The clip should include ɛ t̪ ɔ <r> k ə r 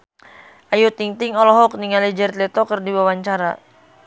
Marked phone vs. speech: incorrect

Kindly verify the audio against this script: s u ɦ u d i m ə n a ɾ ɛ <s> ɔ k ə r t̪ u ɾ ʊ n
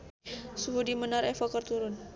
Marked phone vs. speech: incorrect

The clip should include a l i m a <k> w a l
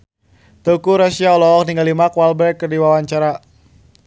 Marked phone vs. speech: correct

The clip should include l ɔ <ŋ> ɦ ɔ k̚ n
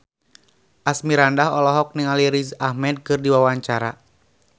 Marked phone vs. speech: incorrect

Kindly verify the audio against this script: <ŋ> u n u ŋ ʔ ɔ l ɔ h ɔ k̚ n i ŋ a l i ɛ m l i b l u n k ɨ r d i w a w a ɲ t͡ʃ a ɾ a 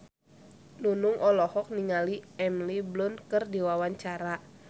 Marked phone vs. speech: incorrect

